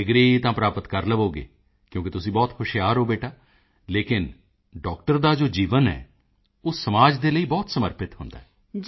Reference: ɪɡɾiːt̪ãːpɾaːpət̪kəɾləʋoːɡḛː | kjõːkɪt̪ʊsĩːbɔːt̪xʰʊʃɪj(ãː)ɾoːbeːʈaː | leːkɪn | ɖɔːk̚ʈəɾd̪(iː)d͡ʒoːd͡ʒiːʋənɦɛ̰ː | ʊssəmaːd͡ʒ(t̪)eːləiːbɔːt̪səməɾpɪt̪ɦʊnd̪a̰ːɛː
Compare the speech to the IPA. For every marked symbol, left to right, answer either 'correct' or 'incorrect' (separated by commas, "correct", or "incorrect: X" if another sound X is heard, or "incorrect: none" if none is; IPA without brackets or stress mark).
incorrect: aː, incorrect: aː, incorrect: d̪